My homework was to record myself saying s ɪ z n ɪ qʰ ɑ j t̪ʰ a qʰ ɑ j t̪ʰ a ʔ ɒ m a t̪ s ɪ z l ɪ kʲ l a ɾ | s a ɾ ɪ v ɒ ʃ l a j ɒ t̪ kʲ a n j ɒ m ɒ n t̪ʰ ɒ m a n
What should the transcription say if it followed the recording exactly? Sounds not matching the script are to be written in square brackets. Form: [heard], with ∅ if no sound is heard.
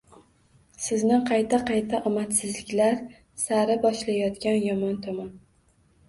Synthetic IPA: s ɪ z n ɪ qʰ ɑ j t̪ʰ a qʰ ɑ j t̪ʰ a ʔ ɒ m a t̪ s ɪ z l ɪ kʲ l a ɾ | s a ɾ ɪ [b] ɒ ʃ l a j ɒ t̪ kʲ a n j ɒ m ɒ n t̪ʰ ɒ m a n